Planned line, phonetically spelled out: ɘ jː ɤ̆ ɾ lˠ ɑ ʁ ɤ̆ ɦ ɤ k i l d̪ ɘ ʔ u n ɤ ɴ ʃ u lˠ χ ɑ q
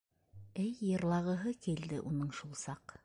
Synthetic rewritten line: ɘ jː ɤ̆ ɾ lˠ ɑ ʁ ɤ̆ ɦ ɤ k i l d̪ ɘ ʔ u n ɤ ɴ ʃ u lˠ s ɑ q